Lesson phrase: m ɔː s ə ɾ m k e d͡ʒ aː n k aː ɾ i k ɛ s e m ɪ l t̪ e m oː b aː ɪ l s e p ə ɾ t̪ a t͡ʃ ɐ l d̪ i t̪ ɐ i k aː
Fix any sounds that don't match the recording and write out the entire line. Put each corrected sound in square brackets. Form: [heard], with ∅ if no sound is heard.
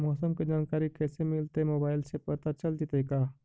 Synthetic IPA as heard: m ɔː s ə [∅] m k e d͡ʒ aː n k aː ɾ i k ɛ s e m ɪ l t̪ e m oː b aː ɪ l s e p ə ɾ t̪ a t͡ʃ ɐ l d̪ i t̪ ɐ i k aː